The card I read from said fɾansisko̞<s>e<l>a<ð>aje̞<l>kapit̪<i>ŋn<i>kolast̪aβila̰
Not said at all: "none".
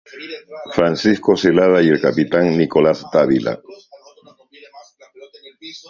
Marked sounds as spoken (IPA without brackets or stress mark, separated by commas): s, l, ð, l, a, i